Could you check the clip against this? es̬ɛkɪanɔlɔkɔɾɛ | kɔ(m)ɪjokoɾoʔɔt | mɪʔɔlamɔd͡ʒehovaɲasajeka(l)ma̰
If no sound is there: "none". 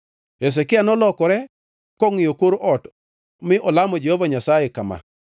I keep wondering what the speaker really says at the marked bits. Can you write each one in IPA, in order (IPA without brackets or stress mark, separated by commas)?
ŋ, none